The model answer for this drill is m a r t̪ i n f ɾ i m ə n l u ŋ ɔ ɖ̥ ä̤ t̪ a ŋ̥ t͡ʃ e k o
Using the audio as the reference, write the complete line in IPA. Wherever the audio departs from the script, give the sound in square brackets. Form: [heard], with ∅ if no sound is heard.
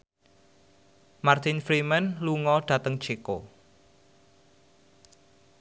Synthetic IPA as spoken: m a r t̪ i n f ɾ i m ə n l u ŋ ɔ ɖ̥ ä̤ t̪ [ə] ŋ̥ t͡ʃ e k o